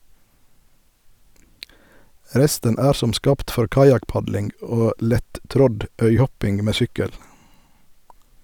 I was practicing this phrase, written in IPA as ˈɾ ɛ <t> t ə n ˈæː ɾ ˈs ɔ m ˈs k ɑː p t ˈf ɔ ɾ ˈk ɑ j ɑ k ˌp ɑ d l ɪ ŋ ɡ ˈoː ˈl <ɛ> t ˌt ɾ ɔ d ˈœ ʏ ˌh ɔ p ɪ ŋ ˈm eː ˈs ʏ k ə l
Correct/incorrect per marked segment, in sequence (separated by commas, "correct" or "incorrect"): incorrect, correct